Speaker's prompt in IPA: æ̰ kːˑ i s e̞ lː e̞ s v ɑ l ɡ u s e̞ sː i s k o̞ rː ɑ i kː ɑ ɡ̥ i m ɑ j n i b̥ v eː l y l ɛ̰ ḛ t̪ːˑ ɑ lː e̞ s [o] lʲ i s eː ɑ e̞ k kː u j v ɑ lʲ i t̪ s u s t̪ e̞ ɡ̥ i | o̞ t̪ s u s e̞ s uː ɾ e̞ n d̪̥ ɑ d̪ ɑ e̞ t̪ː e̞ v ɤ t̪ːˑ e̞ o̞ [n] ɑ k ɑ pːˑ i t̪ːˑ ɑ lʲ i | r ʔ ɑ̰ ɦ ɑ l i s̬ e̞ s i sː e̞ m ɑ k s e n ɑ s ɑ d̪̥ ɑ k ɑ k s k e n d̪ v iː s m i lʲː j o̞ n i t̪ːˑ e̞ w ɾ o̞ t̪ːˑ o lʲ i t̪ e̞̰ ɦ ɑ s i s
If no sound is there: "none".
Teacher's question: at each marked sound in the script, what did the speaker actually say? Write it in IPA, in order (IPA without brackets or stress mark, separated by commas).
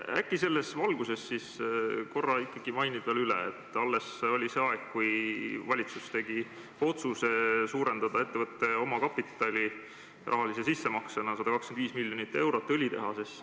o, m